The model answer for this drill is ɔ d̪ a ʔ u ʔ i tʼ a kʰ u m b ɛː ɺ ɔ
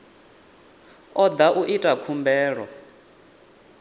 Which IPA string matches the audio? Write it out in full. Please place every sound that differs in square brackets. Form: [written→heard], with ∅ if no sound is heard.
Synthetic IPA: ɔ d̪ a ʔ u ʔ i tʼ a kʰ u m b ɛː ɺ ɔ